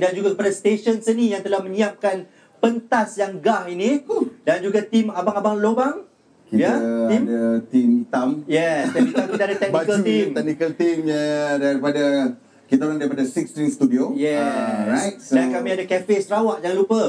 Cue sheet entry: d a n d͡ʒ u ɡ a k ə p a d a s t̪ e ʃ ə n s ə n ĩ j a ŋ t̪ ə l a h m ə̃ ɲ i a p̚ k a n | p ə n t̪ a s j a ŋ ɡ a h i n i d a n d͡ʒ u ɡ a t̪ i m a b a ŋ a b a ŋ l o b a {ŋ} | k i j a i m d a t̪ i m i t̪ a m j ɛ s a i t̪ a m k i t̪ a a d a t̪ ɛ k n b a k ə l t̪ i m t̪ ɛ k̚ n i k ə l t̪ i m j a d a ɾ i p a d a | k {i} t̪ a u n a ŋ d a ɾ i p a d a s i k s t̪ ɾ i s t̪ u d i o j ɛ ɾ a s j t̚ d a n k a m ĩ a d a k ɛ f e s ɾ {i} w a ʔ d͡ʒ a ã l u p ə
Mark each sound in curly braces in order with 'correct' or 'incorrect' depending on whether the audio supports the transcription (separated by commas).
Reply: correct, correct, incorrect